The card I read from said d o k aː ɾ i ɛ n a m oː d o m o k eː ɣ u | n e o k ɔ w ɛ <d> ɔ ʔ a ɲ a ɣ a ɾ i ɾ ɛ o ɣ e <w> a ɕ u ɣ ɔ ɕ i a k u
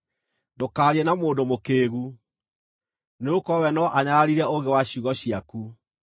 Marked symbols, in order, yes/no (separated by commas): no, yes